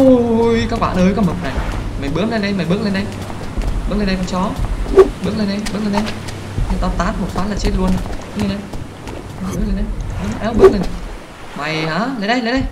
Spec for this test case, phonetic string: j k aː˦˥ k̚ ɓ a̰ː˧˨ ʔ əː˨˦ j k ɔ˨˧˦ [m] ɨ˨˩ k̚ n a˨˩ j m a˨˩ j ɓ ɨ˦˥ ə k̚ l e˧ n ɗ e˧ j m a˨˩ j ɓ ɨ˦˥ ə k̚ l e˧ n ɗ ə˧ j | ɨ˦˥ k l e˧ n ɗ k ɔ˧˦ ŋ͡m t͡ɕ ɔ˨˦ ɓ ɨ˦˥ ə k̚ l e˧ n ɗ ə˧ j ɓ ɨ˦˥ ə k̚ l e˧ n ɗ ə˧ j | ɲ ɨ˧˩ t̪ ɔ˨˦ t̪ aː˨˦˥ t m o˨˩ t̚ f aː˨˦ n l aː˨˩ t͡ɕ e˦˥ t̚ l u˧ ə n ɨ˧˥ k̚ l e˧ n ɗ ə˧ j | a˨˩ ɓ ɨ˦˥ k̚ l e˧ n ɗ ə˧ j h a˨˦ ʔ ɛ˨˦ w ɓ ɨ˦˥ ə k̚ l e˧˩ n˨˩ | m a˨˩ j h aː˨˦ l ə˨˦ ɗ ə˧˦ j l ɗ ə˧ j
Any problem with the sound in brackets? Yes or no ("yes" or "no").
no